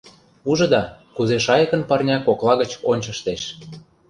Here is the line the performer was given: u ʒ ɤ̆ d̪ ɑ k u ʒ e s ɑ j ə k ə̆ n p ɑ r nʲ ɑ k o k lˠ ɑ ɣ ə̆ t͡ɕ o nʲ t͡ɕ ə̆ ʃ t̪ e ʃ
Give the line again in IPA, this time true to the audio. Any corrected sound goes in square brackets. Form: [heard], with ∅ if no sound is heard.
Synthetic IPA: u ʒ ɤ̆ d̪ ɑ k u [z] e [ʃ] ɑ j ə k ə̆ n p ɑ r nʲ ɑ k o k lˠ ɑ ɣ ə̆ t͡ɕ o nʲ t͡ɕ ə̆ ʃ t̪ e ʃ